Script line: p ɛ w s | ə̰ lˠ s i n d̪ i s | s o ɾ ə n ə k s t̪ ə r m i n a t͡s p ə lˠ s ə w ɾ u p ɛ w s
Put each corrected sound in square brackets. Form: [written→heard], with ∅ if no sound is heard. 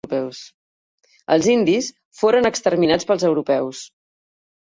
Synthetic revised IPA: p ɛ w s | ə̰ lˠ [s→z] i n d̪ i s | [s→f] o ɾ ə n ə k s t̪ ə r m i n a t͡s p ə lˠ [s→z] ə w ɾ u p ɛ w s